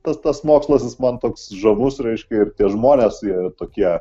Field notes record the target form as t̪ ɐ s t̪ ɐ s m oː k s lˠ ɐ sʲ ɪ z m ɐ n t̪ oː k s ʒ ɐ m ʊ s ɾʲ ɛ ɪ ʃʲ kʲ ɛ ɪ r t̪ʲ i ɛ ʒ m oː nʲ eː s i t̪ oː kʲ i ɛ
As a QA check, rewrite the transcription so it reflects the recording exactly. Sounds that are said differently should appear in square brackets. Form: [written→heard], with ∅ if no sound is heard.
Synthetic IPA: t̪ ɐ s t̪ ɐ s m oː k s lˠ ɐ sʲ ɪ [z→s] m ɐ n t̪ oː k s ʒ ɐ m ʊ s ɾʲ ɛ ɪ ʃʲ kʲ ɛ ɪ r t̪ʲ i ɛ ʒ m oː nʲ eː s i t̪ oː kʲ i ɛ